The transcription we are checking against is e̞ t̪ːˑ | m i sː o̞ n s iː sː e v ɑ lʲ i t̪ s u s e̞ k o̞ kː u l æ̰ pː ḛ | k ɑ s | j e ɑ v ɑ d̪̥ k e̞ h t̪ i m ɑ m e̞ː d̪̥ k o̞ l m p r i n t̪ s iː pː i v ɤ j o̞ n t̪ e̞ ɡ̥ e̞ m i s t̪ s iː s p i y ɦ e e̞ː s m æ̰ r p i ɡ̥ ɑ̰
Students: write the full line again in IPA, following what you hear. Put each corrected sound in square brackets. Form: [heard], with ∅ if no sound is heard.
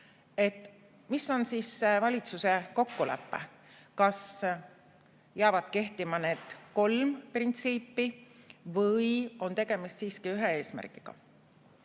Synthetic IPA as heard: e̞ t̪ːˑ | m i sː o̞ n s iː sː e v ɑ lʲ i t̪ s u s e̞ k o̞ kː u l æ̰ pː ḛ | k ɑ s | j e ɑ v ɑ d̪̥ k e̞ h t̪ i m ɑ [n] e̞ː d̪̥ k o̞ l m p r i n t̪ s iː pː i v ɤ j o̞ n t̪ e̞ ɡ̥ e̞ m i s t̪ s iː s [k] i y ɦ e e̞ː s m æ̰ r [k] i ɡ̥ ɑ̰